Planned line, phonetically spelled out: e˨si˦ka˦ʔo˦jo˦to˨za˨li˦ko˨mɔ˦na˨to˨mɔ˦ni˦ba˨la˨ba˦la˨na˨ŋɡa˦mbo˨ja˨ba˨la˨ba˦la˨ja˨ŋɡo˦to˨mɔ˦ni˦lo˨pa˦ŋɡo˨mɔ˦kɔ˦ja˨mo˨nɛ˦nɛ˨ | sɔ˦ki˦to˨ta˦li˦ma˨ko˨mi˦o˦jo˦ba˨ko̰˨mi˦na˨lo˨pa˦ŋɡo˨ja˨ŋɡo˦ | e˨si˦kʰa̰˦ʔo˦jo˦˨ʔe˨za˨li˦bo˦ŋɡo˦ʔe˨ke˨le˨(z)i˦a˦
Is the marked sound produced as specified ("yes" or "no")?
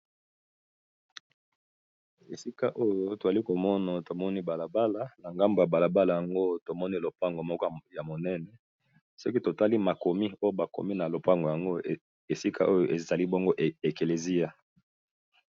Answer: yes